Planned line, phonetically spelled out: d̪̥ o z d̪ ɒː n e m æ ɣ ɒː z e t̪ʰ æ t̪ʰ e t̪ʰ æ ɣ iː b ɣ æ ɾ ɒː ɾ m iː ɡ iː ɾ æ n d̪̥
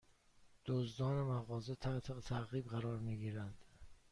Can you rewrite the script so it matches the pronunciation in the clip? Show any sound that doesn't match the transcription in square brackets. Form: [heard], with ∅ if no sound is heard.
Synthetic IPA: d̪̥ o z d̪ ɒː n e m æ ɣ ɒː z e t̪ʰ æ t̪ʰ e t̪ʰ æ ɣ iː b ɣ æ ɾ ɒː ɾ m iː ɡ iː ɾ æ n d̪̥